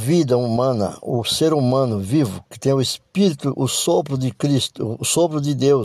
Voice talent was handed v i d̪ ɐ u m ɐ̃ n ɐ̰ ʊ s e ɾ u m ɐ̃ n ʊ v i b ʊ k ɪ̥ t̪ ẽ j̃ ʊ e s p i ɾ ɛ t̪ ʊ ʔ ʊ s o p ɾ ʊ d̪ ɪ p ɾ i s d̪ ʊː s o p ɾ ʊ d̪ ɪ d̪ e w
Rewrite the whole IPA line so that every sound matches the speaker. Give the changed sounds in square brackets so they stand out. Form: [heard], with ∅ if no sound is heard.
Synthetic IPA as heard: v i d̪ ɐ u m ɐ̃ n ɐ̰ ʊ s e ɾ u m ɐ̃ n ʊ v i [v] ʊ k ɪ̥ t̪ ẽ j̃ ʊ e s p i ɾ [i] t̪ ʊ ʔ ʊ s o p ɾ ʊ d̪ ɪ [k] ɾ i s [t̪] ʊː s o p ɾ ʊ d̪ ɪ d̪ e w